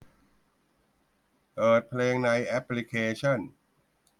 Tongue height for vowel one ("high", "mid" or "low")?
mid